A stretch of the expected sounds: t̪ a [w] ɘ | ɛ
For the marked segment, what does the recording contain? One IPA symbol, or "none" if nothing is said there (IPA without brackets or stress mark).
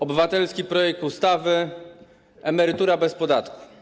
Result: v